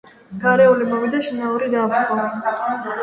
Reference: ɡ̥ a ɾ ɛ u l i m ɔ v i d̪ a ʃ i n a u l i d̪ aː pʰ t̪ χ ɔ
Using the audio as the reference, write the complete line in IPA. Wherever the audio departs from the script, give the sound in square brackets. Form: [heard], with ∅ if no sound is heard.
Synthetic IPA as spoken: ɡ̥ a ɾ ɛ u l i m ɔ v i d̪ a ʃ i n a u [ɾ] i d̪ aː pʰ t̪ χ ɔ